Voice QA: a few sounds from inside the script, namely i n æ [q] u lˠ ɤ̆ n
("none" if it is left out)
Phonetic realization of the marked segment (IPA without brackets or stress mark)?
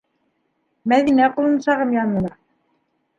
q